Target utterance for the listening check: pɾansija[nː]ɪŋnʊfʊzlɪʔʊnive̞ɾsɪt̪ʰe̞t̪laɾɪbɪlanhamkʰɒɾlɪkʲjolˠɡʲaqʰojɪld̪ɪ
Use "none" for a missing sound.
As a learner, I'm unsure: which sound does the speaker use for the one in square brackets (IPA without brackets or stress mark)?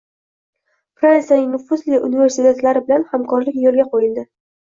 n